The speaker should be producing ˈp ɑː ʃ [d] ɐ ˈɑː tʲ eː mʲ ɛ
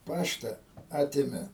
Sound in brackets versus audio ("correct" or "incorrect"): incorrect